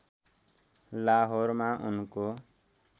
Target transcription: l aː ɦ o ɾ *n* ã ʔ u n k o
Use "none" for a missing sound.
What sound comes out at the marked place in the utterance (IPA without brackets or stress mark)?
m